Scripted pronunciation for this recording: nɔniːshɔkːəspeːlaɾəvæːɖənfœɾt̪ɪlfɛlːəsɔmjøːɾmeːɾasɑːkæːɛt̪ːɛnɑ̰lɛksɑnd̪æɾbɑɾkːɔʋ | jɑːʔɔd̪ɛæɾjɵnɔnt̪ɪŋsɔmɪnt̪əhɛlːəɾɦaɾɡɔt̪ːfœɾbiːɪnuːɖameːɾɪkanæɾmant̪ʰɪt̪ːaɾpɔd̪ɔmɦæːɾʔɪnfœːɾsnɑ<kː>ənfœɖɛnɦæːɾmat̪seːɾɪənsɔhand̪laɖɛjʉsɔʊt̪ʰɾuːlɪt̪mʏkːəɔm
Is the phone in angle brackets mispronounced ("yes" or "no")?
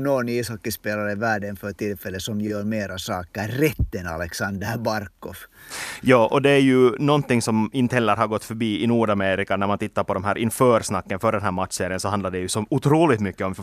no